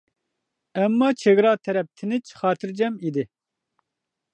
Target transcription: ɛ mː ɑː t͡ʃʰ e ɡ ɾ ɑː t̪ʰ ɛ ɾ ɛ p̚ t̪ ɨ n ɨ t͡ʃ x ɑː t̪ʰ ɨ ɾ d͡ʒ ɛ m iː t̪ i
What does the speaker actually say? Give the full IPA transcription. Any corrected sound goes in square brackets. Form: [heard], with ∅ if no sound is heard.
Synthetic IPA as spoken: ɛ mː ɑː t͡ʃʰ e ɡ ɾ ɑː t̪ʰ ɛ ɾ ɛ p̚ [t̪ʰ] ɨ n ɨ t͡ʃ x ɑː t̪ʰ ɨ ɾ d͡ʒ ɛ m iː [d̪] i

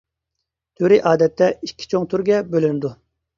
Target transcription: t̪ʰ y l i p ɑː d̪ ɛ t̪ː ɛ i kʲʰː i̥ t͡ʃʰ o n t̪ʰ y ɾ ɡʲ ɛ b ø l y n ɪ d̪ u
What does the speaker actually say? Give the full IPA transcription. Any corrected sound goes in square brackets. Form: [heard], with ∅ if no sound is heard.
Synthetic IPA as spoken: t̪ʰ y [ɾ] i [ʔ] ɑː d̪ ɛ t̪ː ɛ i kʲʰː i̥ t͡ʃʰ o [ŋ] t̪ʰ y ɾ ɡʲ ɛ b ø l y n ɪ d̪ u

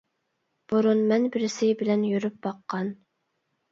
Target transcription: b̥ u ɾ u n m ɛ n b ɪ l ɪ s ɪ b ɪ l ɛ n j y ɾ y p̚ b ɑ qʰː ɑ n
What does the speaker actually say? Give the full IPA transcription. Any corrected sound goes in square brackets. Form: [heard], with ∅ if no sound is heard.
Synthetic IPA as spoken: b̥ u ɾ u n m ɛ n b ɪ [ɾ] ɪ s ɪ b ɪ l ɛ n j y ɾ y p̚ b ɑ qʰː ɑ n

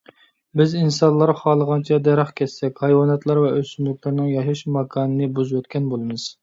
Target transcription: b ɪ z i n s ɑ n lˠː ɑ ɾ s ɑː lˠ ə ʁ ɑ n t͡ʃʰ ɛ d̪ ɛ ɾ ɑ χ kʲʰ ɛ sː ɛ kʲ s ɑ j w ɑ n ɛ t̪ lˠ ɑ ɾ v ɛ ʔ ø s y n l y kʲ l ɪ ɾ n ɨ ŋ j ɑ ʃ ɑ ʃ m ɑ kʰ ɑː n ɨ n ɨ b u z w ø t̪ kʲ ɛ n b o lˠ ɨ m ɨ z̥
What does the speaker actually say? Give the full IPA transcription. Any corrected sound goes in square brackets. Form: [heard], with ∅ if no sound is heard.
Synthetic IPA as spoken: b ɪ z i n s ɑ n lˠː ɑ ɾ [χ] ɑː lˠ ə ʁ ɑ n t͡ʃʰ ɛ d̪ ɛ ɾ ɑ χ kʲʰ ɛ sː ɛ kʲ [h] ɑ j w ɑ n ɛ t̪ lˠ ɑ ɾ v ɛ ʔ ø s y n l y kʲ l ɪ ɾ n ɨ ŋ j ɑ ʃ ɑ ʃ m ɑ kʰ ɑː n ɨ n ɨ b u z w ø t̪ kʲ ɛ n b o lˠ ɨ m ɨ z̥

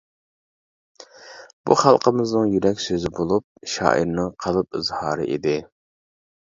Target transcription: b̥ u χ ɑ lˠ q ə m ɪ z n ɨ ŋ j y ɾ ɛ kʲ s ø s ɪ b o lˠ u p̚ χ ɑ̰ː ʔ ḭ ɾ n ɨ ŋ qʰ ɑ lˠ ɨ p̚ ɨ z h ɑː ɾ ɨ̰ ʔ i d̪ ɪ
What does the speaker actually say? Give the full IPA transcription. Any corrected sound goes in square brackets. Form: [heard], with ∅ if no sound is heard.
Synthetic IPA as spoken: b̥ u χ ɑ lˠ q ə m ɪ z n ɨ ŋ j y ɾ ɛ kʲ s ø [z] ɪ b o lˠ u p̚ [ʃ] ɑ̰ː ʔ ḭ ɾ n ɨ ŋ qʰ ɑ lˠ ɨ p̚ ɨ z h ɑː ɾ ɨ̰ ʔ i d̪ ɪ

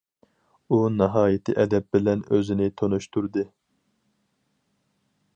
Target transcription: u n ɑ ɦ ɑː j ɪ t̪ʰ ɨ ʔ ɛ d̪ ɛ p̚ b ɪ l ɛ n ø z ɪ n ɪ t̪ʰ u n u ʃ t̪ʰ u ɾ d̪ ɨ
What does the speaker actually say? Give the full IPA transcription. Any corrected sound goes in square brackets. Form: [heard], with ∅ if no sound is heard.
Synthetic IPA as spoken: u n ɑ ɦ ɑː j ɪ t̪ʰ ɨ ʔ ɛ d̪ ɛ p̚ b ɪ l ɛ n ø z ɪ n ɪ t̪ʰ [o] n u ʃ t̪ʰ u ɾ d̪ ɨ

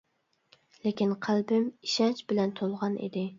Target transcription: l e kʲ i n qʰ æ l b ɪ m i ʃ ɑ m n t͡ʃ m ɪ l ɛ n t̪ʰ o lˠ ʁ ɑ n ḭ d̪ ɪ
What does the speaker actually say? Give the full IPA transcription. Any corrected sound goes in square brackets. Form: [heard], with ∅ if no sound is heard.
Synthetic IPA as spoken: l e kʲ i n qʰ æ l b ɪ m i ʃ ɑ [∅] n t͡ʃ [b] ɪ l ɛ n t̪ʰ o lˠ ʁ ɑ n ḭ d̪ ɪ

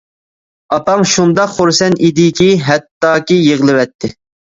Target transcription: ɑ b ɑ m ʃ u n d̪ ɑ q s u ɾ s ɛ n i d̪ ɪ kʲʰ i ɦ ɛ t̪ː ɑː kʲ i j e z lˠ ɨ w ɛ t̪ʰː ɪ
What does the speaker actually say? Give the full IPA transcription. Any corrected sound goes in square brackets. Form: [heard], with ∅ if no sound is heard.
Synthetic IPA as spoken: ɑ [p] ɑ [ŋ] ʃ u n d̪ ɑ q [χ] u ɾ s ɛ n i d̪ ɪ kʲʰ i ɦ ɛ t̪ː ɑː kʲ i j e [ʁ] lˠ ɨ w ɛ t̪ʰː ɪ

